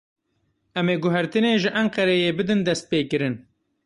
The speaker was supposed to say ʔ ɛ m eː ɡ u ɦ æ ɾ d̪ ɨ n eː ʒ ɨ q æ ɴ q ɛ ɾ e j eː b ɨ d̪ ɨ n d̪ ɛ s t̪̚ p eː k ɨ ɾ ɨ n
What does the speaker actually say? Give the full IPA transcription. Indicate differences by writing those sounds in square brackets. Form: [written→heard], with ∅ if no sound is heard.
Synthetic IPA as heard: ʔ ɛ m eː ɡ [u→ʊ] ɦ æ ɾ [d̪→t̪] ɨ n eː ʒ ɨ [q→ʔ] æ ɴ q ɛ ɾ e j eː b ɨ d̪ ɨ n d̪ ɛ s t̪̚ p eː k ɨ ɾ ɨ n